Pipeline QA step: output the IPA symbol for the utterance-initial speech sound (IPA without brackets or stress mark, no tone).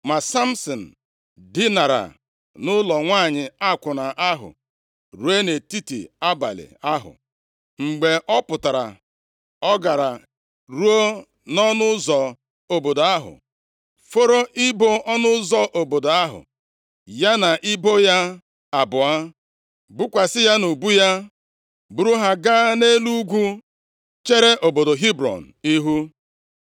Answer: m